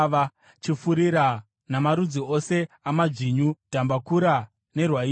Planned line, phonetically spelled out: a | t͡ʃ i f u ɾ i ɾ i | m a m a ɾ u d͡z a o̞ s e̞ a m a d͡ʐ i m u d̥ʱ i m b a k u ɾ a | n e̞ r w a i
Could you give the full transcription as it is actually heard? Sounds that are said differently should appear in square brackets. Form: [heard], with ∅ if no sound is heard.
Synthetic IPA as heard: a | t͡ʃ i f u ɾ i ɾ [a] | [n] a m a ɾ u d͡z [i] o̞ s e̞ a m a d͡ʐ i [ɲ] u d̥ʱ [a] m b a k u ɾ a | n e̞ r w a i